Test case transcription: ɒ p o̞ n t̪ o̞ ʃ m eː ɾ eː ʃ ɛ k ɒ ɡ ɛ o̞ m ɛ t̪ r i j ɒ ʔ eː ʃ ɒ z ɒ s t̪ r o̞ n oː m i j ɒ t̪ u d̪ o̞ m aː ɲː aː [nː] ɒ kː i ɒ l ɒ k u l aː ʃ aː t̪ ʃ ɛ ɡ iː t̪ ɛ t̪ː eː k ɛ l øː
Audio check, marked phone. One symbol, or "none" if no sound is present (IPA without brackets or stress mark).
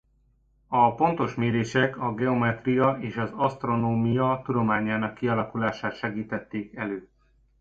n